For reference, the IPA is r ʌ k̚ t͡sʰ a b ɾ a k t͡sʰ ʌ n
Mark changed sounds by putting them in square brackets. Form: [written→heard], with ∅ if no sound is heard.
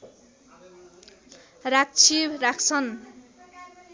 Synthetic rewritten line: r [ʌ→a] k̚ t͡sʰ [a→i] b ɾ a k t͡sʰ ʌ n

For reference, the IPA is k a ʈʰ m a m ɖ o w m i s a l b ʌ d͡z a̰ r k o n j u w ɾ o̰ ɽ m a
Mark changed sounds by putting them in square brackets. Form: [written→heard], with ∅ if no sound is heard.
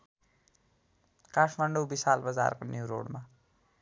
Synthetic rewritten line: k a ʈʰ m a [m→ɳ] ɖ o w [m→b] i s a l b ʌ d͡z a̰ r k o n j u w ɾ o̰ ɽ m a

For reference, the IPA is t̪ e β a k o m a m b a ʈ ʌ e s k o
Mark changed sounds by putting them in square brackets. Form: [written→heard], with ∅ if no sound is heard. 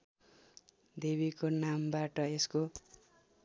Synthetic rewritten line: [t̪→d̪] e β [a→i] k o [m→n] a m b a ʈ ʌ e s k o

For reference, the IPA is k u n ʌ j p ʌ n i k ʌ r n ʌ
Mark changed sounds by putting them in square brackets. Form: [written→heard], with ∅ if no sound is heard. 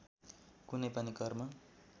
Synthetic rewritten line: k u n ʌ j p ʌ n i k ʌ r [n→m] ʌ

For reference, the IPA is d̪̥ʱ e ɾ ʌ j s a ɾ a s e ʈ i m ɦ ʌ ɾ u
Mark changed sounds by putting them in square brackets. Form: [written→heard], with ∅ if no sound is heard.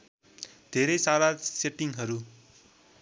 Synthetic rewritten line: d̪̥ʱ e ɾ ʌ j s a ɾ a s e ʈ i [m→ŋ] ɦ ʌ ɾ u

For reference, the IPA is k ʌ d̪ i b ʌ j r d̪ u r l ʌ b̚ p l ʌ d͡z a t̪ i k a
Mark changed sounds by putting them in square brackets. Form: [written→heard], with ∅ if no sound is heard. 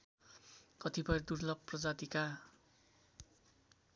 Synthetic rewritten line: k ʌ [d̪→t̪] i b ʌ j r d̪ u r l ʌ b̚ p [l→r] ʌ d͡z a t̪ i k a

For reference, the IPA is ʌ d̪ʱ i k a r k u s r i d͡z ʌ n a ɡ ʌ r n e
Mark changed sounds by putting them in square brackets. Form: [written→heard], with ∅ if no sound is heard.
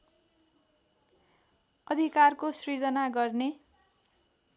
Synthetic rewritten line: ʌ d̪ʱ i k a r k [u→o] s r i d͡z ʌ n a ɡ ʌ r n e

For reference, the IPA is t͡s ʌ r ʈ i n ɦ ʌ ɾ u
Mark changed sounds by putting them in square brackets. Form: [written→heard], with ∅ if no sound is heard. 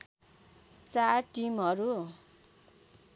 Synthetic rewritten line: t͡s [ʌ→a] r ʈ i [n→m] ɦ ʌ ɾ u

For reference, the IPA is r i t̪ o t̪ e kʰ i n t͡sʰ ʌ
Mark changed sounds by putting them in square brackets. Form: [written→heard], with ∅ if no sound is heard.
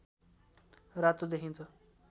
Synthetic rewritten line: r [i→a] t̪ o [t̪→d̪] e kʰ i n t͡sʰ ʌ

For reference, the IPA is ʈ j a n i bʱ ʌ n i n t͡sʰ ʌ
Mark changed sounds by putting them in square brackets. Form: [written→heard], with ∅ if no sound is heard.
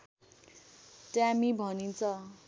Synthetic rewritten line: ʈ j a [n→m] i bʱ ʌ n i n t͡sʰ ʌ

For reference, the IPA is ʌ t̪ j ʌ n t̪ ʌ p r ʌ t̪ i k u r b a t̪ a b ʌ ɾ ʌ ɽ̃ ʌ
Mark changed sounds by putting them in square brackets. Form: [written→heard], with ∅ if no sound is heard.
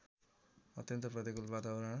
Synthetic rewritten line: ʌ t̪ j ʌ n t̪ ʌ p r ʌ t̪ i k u [r→l] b a t̪ a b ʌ ɾ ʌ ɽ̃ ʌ

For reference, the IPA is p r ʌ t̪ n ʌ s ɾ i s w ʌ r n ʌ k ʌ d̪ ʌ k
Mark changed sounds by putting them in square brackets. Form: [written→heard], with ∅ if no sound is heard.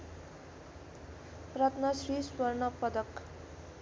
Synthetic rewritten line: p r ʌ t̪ n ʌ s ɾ i s w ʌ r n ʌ [k→p] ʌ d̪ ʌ k

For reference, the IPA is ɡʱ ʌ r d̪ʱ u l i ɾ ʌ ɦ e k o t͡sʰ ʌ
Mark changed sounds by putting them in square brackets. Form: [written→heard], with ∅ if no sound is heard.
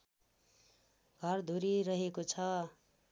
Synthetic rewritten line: ɡʱ ʌ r d̪ʱ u [l→ɾ] i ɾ ʌ ɦ e k o t͡sʰ ʌ

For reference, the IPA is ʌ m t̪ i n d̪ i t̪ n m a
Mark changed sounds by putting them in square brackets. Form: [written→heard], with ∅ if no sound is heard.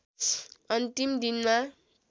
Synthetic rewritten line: ʌ [m→n] t̪ i [n→m] d̪ i [t̪→∅] n m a

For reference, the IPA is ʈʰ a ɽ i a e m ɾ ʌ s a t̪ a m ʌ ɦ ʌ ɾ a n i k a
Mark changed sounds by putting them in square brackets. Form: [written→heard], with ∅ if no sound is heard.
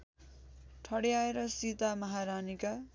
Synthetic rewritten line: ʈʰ [a→ʌ] ɽ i a e [m→∅] ɾ ʌ s [a→i] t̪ a m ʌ ɦ [ʌ→a] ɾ a n i k a

